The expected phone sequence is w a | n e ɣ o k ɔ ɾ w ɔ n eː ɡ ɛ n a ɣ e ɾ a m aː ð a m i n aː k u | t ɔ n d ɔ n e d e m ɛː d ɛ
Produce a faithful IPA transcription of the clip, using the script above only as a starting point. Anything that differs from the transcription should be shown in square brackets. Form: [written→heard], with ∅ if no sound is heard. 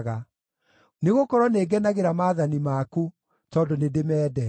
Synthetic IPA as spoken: [w→ɣ] a | n e ɣ o k ɔ ɾ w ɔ n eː ɡ ɛ n a ɣ e ɾ a m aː ð a [m→n] i [n→m] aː k u | t ɔ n d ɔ n e d e m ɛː d ɛ